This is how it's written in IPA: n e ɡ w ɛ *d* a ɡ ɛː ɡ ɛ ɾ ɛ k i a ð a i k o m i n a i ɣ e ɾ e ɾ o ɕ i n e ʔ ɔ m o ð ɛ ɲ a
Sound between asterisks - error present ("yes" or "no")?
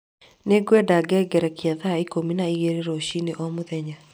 no